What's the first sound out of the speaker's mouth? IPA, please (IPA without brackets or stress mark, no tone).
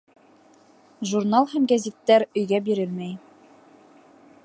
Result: ʒ